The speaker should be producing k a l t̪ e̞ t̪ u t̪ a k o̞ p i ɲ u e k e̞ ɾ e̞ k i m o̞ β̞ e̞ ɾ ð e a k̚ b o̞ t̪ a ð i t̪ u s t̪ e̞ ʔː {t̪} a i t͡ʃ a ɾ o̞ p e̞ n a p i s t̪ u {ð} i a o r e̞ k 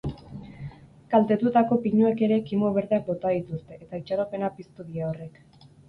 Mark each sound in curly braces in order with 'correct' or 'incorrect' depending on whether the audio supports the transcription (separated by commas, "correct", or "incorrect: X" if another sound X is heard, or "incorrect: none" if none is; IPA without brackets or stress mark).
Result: correct, correct